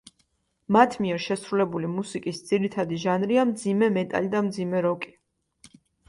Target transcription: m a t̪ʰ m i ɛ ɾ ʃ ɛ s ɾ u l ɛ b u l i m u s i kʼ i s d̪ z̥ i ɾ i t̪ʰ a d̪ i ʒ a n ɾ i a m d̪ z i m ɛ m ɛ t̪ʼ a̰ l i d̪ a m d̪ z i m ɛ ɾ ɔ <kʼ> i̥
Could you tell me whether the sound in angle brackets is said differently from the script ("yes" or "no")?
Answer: no